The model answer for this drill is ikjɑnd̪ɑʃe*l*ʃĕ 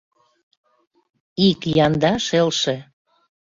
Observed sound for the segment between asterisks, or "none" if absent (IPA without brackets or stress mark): l